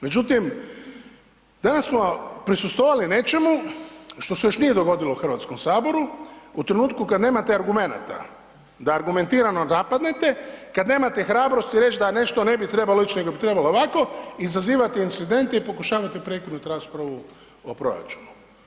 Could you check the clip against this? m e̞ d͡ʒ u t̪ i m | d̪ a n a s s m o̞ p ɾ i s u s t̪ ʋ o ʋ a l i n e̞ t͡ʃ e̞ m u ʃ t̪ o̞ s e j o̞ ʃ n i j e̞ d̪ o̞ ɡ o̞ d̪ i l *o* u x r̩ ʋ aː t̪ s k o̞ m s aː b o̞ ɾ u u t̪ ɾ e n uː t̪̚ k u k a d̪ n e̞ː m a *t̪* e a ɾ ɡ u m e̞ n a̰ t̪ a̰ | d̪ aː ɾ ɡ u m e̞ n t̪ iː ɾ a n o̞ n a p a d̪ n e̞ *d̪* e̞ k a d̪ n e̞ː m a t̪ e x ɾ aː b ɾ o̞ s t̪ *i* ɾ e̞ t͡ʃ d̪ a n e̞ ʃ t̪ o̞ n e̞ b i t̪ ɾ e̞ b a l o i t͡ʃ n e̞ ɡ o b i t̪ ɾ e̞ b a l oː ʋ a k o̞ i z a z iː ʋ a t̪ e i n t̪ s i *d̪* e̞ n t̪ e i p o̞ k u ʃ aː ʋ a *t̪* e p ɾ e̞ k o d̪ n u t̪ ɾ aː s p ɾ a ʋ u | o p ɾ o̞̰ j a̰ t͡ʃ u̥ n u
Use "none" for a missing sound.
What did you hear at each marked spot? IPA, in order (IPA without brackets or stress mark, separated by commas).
o, t̪, t̪, i, d̪, t̪